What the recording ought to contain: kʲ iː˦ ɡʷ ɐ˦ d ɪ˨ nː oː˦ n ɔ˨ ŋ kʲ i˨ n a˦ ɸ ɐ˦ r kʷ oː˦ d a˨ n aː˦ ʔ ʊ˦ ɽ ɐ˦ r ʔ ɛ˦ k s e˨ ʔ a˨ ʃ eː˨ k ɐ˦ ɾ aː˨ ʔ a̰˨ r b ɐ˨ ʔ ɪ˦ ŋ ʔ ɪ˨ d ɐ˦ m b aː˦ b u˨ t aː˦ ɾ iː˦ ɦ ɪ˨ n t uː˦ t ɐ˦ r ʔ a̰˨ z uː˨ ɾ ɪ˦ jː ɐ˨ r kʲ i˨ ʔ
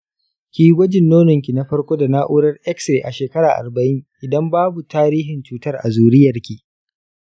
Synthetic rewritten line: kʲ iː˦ ɡʷ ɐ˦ d͡ʒ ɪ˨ nː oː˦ n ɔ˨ ŋ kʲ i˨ n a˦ ɸ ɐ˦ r kʷ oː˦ d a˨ n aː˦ ʔ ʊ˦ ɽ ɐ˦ r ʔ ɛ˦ k s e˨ ʔ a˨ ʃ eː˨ k ɐ˦ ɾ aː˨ ʔ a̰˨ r b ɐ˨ ʔ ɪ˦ ŋ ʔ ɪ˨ d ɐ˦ m b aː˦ b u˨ t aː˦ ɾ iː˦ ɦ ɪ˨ n t͡ʃ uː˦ t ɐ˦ r ʔ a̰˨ z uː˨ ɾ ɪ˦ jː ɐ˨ r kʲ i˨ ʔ

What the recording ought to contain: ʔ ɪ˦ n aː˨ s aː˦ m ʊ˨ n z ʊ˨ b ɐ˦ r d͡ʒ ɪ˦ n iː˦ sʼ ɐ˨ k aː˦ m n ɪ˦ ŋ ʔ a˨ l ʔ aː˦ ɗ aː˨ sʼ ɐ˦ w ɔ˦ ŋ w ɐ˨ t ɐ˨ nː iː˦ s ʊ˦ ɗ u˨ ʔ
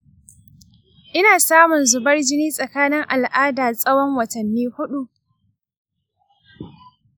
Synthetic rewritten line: ʔ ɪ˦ n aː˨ s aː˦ m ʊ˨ n z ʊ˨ b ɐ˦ r d͡ʒ ɪ˦ n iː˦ sʼ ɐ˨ k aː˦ n ɪ˦ ŋ ʔ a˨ l ʔ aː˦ d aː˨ sʼ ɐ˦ w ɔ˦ ŋ w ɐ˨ t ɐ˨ nː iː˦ h ʊ˦ ɗ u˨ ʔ

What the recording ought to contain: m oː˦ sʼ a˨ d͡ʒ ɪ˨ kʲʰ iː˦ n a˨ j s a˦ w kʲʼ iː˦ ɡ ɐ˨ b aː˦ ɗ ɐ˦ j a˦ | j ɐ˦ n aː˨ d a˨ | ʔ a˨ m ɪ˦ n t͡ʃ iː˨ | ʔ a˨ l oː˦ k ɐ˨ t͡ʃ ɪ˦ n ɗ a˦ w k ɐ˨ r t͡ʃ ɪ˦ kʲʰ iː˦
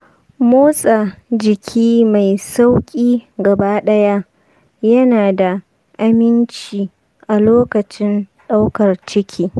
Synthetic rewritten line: m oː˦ sʼ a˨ d͡ʒ ɪ˨ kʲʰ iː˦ m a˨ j s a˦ w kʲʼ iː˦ ɡ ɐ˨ b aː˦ ɗ ɐ˦ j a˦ | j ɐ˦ n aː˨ d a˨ | ʔ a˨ m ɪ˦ n t͡ʃ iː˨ | ʔ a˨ l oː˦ k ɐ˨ t͡ʃ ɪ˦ n ɗ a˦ w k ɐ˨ r t͡ʃ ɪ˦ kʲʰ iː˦

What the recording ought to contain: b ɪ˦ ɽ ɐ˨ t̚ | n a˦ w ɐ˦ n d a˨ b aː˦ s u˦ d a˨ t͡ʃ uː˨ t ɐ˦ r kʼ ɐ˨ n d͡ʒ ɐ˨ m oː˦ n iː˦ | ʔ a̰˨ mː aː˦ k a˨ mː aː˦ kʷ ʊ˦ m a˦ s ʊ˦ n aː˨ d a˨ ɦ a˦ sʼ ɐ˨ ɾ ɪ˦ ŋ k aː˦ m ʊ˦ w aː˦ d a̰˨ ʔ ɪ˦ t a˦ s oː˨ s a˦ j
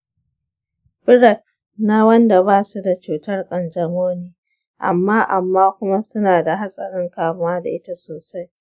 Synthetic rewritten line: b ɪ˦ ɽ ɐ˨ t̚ | n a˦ w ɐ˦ n d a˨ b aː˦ s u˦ d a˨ t͡ʃ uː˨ t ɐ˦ r kʼ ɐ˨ n d͡ʒ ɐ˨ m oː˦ n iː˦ | ʔ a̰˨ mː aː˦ ʔ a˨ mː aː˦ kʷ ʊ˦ m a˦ s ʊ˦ n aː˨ d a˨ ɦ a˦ sʼ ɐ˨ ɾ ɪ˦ ŋ k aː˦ m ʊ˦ w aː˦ d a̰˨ ʔ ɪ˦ t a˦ s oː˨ s a˦ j

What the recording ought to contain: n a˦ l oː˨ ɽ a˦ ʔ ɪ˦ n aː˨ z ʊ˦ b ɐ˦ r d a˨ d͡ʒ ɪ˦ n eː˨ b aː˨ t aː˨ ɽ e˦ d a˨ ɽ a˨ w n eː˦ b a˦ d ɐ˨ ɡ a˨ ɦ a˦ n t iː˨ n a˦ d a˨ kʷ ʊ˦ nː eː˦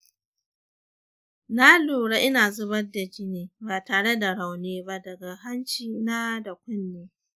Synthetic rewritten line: n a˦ l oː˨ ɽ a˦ ʔ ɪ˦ n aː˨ z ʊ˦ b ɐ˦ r d a˨ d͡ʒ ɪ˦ n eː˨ b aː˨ t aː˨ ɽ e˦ d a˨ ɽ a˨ w n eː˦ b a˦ d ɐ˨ ɡ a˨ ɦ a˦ n t͡ʃ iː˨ n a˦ d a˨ kʷ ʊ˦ nː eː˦

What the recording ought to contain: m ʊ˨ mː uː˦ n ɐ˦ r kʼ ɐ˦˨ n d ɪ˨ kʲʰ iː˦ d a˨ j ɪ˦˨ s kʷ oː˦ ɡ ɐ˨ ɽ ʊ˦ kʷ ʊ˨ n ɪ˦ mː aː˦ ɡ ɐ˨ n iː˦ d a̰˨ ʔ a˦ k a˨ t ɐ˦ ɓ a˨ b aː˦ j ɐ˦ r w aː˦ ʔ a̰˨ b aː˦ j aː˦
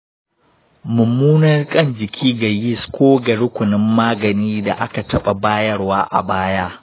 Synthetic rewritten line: m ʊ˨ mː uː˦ n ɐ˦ r kʼ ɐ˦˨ n d͡ʒ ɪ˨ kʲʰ iː˦ ɡ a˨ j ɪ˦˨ s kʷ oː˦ ɡ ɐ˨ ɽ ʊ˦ kʷ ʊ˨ n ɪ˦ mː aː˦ ɡ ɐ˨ n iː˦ d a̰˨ ʔ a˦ k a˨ t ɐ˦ ɓ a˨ b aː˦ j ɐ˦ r w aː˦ ʔ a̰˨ b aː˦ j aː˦

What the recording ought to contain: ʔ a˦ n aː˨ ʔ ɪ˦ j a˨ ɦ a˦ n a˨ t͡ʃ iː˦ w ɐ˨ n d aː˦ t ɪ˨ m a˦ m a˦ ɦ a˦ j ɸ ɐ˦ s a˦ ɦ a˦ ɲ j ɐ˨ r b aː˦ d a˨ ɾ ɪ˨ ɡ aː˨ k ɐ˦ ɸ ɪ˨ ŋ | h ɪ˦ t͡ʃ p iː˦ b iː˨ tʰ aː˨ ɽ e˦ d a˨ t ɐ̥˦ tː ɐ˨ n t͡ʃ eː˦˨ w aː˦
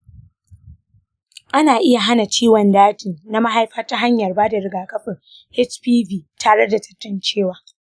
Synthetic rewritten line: ʔ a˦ n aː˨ ʔ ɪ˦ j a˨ ɦ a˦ n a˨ t͡ʃ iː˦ w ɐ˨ n d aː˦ t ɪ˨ n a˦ m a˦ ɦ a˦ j ɸ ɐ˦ t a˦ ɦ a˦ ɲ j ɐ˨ r b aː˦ d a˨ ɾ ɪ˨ ɡ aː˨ k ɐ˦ ɸ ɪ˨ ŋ | h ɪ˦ t͡ʃ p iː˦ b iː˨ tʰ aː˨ ɽ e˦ d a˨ t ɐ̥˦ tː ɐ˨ n t͡ʃ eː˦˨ w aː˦

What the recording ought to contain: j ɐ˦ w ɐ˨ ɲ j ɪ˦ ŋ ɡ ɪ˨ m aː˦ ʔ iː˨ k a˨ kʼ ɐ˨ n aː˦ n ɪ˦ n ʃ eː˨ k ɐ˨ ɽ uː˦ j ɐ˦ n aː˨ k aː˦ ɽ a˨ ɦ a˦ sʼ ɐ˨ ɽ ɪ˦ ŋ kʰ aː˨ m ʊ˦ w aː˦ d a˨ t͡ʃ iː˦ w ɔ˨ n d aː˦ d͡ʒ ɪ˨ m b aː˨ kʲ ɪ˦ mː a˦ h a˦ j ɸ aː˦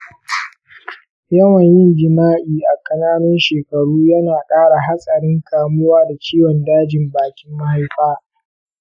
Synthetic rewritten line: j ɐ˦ w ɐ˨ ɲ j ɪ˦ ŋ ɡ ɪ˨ m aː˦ ʔ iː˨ ʔ a˨ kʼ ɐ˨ n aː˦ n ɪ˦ n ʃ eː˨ k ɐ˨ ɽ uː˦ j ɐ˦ n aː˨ kʼ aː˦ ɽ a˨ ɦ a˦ sʼ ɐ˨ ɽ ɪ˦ ŋ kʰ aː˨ m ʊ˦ w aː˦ d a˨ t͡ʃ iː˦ w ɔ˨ n d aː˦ d͡ʒ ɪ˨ m b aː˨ kʲ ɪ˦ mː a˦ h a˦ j ɸ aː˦

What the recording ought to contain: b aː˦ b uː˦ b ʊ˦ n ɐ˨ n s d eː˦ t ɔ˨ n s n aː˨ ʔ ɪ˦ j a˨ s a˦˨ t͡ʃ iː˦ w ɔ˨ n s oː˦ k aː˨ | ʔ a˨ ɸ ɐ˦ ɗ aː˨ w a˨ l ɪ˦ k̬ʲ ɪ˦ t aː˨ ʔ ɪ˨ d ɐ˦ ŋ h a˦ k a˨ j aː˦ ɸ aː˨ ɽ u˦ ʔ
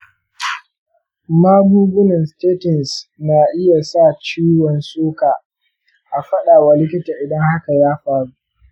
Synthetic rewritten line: m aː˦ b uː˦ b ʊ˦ n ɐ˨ n s t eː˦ t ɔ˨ n s n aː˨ ʔ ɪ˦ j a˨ s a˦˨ t͡ʃ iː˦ w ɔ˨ n s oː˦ k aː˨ | ʔ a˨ ɸ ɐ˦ ɗ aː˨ w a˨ l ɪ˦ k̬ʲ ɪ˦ t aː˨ ʔ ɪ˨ d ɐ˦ ŋ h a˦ k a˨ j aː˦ ɸ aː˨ ɽ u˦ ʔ

